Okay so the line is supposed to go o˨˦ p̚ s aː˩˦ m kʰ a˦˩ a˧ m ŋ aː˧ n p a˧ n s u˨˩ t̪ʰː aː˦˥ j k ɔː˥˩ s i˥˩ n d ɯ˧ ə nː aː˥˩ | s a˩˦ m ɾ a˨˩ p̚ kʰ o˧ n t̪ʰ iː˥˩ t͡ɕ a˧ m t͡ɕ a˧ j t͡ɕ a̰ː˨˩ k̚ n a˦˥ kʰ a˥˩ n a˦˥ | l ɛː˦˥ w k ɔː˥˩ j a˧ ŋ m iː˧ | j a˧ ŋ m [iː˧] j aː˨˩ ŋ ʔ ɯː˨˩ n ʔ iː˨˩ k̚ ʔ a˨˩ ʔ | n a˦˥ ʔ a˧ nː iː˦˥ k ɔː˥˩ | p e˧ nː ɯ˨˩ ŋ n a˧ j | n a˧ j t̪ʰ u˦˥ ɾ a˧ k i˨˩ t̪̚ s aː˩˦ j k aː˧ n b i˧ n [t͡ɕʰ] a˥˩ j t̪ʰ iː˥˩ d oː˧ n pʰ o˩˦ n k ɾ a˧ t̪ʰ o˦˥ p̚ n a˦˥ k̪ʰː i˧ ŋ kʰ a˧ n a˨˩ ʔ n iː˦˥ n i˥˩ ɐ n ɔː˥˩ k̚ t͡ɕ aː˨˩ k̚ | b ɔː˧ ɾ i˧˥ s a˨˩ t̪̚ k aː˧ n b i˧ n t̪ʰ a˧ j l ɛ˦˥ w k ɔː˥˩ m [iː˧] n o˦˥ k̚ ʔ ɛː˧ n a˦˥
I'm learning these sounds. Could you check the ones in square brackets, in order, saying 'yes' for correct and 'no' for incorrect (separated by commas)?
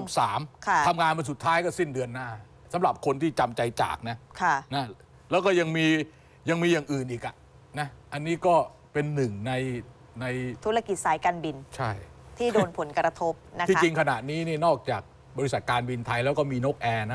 yes, yes, yes